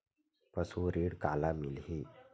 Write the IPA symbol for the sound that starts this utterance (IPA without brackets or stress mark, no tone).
p